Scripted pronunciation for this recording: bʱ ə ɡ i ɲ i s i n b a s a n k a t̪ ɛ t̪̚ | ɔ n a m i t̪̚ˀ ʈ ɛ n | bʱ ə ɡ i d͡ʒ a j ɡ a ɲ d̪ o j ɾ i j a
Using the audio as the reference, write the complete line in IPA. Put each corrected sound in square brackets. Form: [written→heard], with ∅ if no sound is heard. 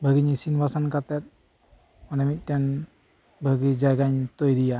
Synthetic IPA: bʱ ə ɡ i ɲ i s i n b a s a n k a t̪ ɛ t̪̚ | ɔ n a m i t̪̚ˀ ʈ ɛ n | bʱ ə ɡ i d͡ʒ a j ɡ a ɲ [d̪→t̪] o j ɾ i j a